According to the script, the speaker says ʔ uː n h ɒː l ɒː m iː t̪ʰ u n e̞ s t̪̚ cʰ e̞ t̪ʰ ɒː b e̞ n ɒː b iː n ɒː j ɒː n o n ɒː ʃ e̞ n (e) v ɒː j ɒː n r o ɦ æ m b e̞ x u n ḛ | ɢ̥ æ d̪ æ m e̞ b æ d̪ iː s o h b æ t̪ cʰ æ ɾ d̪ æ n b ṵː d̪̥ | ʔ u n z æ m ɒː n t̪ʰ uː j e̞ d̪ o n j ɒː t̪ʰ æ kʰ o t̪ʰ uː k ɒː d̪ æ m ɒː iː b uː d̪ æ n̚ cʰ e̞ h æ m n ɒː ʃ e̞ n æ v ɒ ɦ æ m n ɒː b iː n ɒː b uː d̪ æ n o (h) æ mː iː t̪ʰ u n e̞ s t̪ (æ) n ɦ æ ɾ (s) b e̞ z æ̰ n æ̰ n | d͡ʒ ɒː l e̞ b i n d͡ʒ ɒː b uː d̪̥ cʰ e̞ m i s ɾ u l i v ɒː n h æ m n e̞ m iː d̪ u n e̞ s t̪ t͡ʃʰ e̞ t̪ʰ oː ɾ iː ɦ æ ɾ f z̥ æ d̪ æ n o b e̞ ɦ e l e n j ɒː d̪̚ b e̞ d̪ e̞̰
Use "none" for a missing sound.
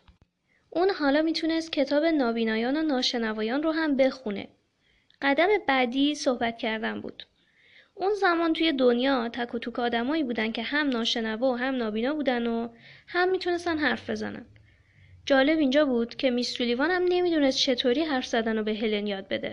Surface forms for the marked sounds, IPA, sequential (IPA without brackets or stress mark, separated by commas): æ, h, æ, f